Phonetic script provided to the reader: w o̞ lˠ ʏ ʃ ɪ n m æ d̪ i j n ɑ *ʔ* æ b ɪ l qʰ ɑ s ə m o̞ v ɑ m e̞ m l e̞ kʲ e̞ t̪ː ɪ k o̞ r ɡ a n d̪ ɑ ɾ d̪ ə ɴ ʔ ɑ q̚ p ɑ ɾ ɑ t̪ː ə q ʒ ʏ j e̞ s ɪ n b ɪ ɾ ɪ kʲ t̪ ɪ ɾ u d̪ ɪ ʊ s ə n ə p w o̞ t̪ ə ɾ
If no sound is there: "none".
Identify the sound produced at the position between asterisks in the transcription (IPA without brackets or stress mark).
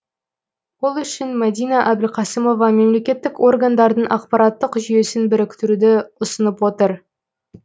ʔ